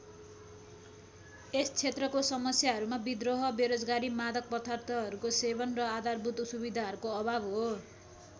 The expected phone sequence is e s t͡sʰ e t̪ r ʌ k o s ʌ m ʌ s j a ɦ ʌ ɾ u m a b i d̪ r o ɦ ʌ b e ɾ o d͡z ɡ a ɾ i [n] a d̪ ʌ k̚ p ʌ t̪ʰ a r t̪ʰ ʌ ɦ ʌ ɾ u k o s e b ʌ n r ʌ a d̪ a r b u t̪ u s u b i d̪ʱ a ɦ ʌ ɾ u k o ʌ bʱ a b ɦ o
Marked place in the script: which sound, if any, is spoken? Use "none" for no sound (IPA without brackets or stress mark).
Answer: m